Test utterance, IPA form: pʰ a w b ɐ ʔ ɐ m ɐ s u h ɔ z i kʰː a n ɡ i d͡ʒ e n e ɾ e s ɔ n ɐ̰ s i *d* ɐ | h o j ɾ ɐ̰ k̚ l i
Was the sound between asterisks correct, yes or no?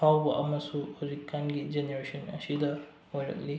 yes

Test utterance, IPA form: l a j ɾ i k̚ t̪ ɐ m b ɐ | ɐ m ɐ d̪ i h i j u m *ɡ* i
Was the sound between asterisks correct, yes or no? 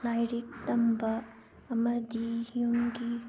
yes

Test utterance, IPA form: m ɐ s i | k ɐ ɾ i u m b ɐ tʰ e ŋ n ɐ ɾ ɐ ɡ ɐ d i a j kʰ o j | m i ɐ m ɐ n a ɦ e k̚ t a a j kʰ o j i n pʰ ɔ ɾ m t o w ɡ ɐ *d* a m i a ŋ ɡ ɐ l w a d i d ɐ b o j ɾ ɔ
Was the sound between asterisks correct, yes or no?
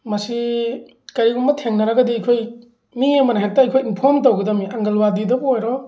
yes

